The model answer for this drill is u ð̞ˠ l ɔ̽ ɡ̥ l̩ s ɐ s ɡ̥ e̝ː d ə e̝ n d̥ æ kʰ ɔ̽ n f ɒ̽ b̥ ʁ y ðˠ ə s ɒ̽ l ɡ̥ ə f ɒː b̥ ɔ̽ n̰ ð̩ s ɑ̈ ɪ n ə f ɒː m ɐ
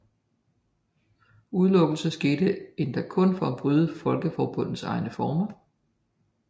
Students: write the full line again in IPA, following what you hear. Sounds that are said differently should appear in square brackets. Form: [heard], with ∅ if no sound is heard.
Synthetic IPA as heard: u ð̞ˠ l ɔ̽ ɡ̥ l̩ s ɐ s ɡ̥ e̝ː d ə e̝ n d̥ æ kʰ ɔ̽ n f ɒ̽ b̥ ʁ y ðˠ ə [f] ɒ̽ l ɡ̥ ə f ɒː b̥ ɔ̽ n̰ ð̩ s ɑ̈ ɪ n ə f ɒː m ɐ

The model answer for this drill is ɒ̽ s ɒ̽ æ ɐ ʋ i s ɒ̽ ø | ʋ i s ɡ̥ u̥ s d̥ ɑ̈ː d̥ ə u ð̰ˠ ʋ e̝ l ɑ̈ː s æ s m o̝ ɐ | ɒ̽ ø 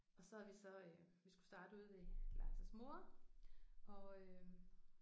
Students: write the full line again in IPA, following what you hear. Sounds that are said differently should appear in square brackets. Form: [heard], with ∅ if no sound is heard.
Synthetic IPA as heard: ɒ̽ s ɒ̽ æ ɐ ʋ i s ɒ̽ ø | ʋ i s ɡ̥ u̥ s d̥ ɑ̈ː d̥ ə u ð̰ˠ ʋ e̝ l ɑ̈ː s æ s m o̝ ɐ | ɒ̽ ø

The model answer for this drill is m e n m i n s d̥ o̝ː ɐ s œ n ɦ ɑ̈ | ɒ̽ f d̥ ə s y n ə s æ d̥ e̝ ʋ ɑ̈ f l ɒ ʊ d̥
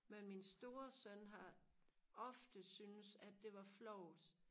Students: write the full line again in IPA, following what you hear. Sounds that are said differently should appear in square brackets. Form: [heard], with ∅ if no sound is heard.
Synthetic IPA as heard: m e n m i n s d̥ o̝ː ɐ s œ n ɦ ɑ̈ | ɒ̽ f d̥ ə s y n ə s æ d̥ e̝ ʋ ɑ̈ f l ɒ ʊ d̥

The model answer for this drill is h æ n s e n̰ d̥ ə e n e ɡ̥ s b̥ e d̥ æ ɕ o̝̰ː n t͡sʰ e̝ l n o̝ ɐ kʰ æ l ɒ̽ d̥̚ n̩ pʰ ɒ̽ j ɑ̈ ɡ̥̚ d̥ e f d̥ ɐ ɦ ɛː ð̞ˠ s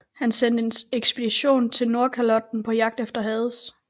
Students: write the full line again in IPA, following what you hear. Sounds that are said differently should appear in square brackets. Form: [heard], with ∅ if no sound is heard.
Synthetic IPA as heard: h æ n s e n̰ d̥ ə e n e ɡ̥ s b̥ e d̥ [i] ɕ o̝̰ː n t͡sʰ e̝ l n o̝ ɐ kʰ æ l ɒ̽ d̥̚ n̩ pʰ ɒ̽ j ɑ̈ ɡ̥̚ d̥ e f d̥ ɐ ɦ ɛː ð̞ˠ s

